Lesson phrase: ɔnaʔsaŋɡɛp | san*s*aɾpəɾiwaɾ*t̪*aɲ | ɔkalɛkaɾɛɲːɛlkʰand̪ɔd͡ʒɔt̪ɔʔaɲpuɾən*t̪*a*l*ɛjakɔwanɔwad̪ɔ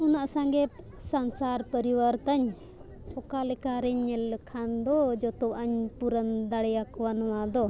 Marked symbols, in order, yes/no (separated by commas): yes, yes, no, no